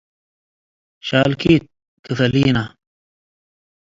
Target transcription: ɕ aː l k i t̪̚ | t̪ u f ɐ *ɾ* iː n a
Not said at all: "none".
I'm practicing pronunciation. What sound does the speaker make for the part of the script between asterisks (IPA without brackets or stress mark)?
l